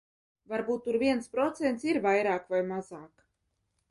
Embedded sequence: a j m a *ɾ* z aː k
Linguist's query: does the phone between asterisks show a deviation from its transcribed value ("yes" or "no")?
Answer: yes